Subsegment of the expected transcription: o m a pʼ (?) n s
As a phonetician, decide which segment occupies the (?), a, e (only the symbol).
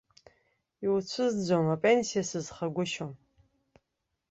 e